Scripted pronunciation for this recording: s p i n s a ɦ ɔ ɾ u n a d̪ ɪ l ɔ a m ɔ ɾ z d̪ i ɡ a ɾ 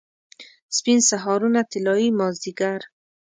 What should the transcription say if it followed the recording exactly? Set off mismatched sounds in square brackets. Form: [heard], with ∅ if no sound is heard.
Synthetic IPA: s p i n s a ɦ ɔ ɾ u n a [t̪] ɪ l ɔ [i] m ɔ [∅] z d̪ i ɡ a ɾ